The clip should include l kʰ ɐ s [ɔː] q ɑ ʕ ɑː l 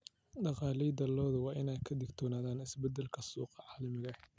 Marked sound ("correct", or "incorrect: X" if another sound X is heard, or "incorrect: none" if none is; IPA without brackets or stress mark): incorrect: uː